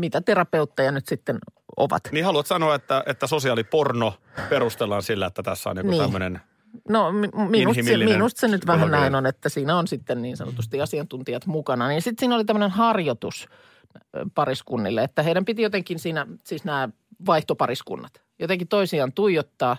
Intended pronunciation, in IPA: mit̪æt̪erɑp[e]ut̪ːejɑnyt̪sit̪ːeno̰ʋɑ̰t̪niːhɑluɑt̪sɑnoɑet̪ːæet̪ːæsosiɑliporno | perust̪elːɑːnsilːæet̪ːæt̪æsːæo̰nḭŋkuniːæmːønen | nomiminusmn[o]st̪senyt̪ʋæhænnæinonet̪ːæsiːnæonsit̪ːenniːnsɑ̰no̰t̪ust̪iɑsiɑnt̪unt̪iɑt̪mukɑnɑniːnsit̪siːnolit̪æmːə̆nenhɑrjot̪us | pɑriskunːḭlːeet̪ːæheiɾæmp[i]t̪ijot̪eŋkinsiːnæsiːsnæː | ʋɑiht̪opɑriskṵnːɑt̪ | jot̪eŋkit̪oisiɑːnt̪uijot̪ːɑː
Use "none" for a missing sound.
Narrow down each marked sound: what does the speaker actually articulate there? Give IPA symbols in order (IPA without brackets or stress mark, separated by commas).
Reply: e, u, i